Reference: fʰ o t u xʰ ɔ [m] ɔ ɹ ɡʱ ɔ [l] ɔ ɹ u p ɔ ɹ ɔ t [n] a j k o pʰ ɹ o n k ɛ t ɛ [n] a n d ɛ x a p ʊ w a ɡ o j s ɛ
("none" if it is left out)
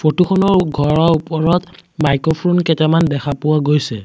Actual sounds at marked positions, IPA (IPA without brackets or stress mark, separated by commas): n, ɹ, m, m